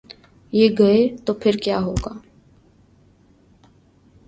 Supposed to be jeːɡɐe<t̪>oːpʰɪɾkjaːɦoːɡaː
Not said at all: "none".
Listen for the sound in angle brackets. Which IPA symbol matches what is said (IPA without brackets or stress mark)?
t̪